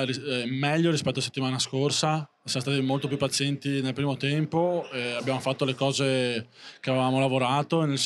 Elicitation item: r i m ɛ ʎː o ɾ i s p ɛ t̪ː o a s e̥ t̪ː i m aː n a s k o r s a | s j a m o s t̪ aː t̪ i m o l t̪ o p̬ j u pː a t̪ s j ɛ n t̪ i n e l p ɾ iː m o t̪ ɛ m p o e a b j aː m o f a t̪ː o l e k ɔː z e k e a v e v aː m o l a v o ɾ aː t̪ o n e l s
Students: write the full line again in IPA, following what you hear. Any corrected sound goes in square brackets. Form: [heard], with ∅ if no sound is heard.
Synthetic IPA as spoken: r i m ɛ ʎː o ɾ i s p ɛ t̪ː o a s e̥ t̪ː i m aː n a s k o r s a | s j a m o s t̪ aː t̪ i m o l t̪ o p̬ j u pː a t̪ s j ɛ n t̪ i n e l p ɾ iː m o t̪ ɛ m p o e a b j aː m o f a t̪ː o l e k ɔː z e k e a v e v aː m o l a v o ɾ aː t̪ o n e l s